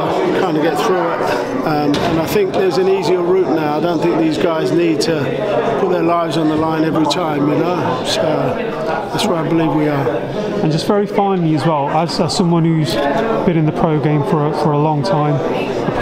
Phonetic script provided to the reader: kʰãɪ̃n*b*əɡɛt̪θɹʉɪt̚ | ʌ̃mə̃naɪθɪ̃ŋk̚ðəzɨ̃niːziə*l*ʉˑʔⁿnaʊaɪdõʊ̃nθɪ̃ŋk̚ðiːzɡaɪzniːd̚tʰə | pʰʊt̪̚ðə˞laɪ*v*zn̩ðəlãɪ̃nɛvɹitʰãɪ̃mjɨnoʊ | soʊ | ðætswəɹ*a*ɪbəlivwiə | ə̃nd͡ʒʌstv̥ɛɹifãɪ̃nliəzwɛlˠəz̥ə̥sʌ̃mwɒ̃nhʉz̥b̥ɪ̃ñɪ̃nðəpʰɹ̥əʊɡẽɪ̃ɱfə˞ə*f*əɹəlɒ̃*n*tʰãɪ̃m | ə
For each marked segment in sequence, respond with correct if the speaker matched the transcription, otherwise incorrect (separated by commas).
incorrect, incorrect, correct, correct, correct, incorrect